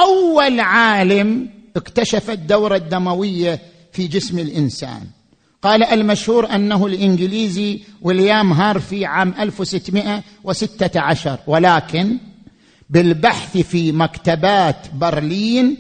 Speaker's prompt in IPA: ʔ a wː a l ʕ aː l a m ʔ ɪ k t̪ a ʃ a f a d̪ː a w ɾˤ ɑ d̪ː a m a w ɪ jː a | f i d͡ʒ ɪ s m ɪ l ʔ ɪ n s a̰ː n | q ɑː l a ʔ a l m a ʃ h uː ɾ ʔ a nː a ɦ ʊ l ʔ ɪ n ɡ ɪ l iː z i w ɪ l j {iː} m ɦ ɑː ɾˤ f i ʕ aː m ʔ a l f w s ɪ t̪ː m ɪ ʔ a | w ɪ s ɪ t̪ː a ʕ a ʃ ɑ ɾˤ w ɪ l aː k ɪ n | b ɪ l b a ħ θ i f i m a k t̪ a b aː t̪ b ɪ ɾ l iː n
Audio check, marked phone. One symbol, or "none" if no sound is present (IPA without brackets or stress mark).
aː